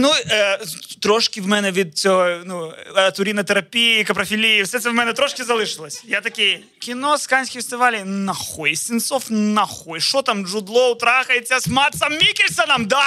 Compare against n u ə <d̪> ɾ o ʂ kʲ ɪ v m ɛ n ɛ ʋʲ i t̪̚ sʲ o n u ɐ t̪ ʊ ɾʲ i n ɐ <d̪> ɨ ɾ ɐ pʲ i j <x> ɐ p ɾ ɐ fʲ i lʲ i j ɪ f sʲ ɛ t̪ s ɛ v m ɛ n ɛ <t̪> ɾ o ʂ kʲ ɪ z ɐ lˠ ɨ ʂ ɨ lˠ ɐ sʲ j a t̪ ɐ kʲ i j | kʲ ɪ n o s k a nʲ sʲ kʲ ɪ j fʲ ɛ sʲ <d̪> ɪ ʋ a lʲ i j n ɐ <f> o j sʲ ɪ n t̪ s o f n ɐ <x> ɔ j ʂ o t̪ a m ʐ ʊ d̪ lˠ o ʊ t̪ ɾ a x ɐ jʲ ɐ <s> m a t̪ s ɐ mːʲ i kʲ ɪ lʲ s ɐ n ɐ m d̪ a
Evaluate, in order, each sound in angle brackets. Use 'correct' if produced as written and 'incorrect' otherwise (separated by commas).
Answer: incorrect, incorrect, incorrect, correct, incorrect, incorrect, correct, correct